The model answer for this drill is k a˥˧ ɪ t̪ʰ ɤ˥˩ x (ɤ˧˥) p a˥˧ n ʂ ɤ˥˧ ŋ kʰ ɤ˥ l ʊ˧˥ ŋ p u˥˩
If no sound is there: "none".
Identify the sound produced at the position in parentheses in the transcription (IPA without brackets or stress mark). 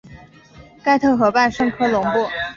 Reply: ɤ˧˥